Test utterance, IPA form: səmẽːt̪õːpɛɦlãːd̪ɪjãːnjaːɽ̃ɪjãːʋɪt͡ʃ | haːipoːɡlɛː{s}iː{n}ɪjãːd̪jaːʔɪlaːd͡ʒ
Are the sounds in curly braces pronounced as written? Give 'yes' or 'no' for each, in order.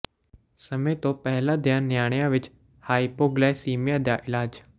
yes, no

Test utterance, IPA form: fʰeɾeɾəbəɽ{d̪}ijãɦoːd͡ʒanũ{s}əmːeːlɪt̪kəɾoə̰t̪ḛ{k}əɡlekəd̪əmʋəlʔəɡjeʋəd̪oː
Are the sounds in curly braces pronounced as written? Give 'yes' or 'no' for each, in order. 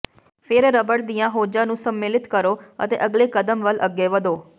yes, yes, no

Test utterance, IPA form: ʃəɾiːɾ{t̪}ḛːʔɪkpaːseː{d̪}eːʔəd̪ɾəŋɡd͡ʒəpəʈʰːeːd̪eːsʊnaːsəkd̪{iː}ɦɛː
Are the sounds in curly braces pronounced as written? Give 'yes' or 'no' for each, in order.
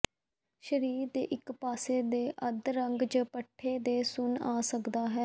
no, yes, no

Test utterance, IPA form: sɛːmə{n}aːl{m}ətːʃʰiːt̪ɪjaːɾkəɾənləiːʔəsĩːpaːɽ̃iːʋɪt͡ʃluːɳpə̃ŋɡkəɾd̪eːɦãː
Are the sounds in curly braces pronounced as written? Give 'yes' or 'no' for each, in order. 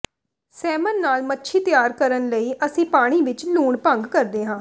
no, yes

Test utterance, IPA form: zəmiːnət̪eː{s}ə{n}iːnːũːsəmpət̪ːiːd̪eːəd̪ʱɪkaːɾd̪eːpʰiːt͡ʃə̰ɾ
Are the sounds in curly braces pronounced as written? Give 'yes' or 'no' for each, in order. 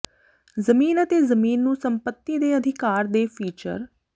no, no

